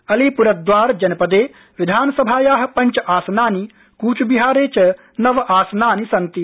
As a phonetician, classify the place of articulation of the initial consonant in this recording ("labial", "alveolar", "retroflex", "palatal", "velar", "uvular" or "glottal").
alveolar